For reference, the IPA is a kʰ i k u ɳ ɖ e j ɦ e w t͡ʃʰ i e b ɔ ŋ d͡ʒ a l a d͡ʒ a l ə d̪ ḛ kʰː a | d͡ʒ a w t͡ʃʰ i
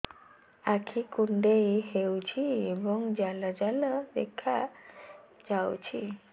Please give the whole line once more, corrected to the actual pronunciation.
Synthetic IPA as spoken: a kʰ i k u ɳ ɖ e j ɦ e w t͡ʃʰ i e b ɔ ŋ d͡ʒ a l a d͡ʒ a l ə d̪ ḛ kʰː a | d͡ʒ a w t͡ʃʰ i